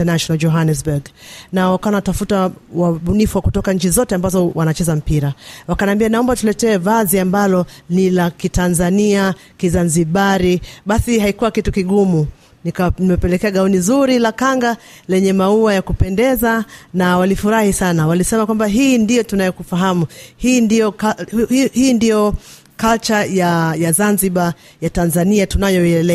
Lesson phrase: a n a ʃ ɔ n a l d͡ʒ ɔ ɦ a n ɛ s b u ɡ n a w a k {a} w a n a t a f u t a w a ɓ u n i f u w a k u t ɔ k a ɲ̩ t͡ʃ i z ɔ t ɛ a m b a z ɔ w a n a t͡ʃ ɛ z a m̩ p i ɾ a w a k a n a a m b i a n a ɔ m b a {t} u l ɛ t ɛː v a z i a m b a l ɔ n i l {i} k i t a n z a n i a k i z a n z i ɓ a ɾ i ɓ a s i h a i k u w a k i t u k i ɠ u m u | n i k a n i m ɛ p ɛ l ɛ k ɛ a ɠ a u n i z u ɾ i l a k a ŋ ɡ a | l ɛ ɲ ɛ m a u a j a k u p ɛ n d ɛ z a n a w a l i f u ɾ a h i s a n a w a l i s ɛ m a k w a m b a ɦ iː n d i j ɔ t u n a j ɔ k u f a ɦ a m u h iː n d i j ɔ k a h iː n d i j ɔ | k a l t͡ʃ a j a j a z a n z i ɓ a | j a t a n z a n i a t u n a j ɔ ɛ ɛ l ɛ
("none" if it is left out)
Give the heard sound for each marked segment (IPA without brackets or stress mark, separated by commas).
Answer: a, t, a